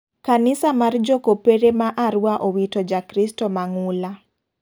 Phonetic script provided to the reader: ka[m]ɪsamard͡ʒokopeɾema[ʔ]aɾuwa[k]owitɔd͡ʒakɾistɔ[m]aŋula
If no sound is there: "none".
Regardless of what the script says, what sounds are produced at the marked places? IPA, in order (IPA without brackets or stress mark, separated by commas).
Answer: n, ʔ, ʔ, m